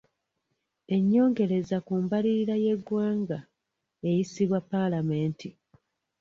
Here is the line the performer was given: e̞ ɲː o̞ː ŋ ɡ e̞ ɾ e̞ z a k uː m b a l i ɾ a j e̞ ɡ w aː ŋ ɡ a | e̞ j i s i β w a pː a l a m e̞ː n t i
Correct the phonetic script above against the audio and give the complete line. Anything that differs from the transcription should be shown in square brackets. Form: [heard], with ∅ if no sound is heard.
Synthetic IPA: e̞ ɲː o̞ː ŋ ɡ e̞ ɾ e̞ z a k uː m b a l i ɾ a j e̞ ɡ w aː ŋ ɡ a | e̞ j i s i β w a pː a l a m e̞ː n t i